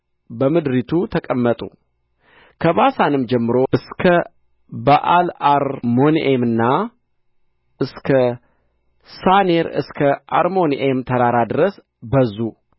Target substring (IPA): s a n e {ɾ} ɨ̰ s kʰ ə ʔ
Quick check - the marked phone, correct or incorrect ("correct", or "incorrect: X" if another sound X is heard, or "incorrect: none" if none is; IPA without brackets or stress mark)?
correct